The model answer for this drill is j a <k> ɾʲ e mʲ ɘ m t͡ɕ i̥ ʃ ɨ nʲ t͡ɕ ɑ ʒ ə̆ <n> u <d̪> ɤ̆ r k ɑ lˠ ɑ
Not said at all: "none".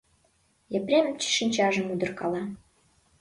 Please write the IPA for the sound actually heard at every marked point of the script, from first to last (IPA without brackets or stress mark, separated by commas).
p, m, d̪